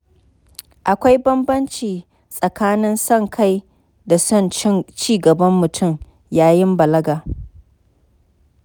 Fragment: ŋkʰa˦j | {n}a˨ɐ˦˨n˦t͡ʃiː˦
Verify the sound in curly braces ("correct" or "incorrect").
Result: incorrect